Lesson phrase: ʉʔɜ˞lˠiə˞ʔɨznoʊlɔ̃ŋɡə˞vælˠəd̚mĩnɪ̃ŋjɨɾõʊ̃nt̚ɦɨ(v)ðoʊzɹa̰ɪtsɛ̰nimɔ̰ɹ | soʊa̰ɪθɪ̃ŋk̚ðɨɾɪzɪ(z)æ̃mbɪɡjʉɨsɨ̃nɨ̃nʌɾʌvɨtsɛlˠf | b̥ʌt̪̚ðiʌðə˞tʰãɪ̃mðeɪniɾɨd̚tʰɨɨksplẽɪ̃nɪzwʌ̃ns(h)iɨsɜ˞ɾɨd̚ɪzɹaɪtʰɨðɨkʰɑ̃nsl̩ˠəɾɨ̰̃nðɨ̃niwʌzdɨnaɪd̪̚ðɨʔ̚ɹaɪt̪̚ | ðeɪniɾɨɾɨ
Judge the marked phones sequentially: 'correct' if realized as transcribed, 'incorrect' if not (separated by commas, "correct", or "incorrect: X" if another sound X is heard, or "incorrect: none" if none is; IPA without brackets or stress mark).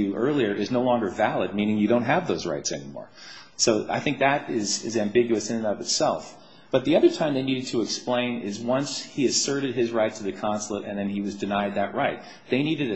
correct, correct, correct